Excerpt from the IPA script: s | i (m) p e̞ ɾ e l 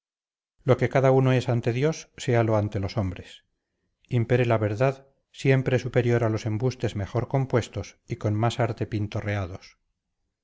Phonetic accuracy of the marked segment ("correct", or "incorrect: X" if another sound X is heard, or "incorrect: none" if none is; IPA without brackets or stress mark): correct